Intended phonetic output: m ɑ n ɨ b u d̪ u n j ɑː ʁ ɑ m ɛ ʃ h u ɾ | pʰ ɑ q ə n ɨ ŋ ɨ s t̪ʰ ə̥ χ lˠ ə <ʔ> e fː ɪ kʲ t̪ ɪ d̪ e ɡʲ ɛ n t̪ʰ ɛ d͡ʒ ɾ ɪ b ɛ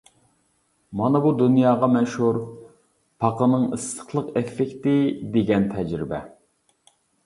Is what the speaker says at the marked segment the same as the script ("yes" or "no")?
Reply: no